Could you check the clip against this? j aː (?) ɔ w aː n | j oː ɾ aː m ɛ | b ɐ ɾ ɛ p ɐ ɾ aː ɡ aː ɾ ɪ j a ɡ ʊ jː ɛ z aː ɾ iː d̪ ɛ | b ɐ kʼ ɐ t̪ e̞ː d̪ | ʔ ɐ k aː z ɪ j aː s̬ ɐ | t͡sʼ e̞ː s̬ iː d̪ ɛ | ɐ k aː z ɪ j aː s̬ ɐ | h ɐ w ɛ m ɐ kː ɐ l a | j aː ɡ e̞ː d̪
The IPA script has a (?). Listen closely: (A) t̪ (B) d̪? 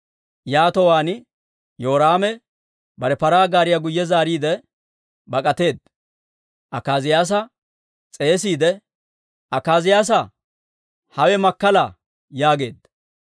A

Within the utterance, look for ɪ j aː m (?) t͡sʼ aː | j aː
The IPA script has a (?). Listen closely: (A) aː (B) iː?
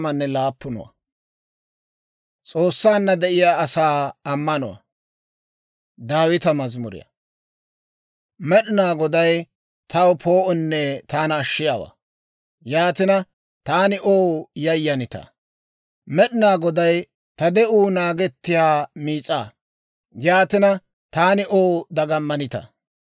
B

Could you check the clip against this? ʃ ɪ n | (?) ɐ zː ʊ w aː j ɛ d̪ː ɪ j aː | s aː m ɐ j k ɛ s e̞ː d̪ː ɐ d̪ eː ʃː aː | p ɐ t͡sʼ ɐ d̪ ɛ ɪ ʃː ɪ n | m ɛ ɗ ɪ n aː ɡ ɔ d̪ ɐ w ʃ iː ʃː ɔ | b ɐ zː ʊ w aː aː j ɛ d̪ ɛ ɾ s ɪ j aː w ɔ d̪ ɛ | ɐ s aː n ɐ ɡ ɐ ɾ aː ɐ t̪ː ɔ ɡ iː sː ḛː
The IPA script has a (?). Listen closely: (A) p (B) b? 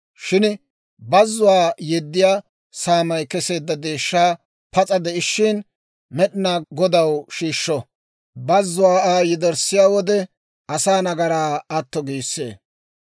B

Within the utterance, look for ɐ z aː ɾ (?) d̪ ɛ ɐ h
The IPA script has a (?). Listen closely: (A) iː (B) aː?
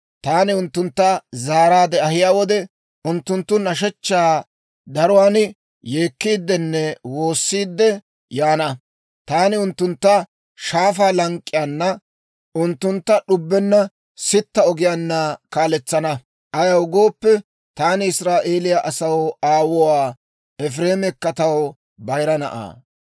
B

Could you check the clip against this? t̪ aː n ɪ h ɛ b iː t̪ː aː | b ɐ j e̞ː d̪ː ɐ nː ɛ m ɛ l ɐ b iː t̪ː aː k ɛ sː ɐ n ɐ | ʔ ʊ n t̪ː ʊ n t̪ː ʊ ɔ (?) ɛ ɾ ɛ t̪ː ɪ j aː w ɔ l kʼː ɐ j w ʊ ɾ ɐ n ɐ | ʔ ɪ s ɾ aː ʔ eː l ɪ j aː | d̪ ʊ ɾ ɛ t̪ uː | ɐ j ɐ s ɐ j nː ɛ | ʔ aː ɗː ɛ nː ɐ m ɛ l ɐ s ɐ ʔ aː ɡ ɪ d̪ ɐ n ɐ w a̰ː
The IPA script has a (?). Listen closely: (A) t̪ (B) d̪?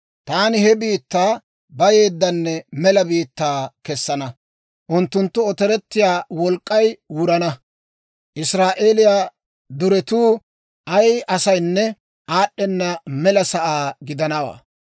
A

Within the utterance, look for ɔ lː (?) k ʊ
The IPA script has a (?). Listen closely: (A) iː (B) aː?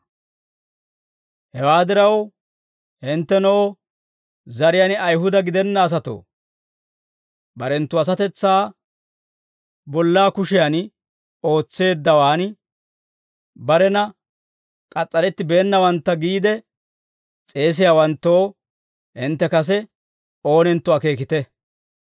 B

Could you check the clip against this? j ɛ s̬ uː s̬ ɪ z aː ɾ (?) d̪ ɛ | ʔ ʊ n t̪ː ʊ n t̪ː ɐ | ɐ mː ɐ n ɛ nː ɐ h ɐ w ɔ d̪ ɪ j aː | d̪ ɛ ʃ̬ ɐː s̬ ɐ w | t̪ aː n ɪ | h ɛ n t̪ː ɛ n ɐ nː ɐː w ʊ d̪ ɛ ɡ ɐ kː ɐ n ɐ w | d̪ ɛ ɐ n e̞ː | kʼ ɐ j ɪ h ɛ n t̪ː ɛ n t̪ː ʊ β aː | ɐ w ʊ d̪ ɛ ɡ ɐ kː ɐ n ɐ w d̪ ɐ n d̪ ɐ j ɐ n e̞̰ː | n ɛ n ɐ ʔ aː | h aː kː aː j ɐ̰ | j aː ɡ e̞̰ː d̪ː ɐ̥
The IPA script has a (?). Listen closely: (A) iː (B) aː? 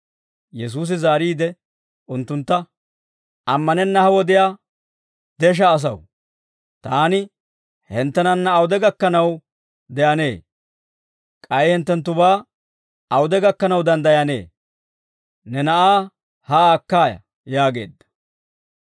A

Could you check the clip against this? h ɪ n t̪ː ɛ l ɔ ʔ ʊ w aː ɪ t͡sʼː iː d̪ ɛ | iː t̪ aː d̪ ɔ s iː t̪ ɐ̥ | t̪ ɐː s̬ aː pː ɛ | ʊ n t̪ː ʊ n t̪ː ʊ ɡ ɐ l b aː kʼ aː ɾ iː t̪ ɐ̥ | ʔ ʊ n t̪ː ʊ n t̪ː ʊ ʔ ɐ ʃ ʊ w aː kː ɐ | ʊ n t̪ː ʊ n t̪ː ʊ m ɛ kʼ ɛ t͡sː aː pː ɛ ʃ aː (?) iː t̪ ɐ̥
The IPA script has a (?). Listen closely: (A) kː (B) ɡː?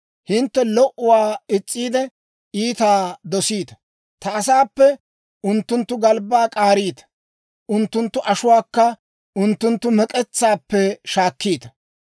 A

